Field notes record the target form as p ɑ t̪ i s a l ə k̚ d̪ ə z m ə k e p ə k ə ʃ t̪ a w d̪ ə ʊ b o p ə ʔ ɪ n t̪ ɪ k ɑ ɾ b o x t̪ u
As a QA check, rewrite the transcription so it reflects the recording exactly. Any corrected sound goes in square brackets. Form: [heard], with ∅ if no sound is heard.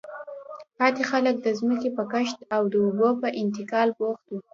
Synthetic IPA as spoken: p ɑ t̪ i [x] a l ə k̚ d̪ ə z m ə k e p ə k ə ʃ t̪ a w d̪ ə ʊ b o p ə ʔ ɪ n t̪ ɪ k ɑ [l] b o x t̪ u